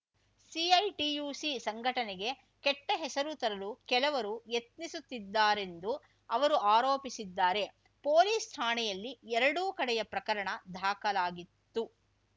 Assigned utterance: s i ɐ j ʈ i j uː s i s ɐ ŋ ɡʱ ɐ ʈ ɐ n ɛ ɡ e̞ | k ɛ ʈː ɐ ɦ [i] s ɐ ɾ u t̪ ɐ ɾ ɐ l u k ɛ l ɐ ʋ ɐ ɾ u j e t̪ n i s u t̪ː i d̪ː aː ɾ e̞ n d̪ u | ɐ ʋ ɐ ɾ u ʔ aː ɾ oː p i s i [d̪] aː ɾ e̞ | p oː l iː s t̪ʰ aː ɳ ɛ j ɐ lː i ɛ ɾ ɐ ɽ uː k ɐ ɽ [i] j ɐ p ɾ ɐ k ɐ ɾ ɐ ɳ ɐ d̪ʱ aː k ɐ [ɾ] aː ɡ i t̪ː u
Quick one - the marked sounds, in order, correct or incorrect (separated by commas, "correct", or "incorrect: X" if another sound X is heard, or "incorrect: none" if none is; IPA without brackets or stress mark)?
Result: incorrect: ɛ, incorrect: d̪ː, incorrect: ɛ, incorrect: l